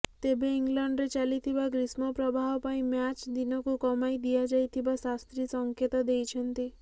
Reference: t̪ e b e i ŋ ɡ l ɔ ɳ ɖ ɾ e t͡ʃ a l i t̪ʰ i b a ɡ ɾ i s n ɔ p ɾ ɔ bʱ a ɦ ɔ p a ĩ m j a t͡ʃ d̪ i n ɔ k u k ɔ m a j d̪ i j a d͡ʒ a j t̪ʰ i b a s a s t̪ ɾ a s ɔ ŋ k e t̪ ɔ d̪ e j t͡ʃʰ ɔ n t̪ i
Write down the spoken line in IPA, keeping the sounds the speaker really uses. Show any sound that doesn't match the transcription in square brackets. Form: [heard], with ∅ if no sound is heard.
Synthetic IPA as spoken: t̪ e b e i ŋ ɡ l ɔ ɳ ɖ ɾ e t͡ʃ a l i t̪ʰ i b a ɡ ɾ i s [m] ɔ p ɾ ɔ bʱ a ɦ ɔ p a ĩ m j a t͡ʃ d̪ i n ɔ k u k ɔ m a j d̪ i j a d͡ʒ a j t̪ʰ i b a s a s t̪ ɾ [i] s ɔ ŋ k e t̪ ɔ d̪ e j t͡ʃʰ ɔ n t̪ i